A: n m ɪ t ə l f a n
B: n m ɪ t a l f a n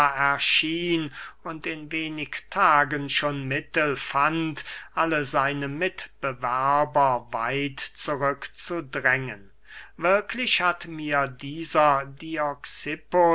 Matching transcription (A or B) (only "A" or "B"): A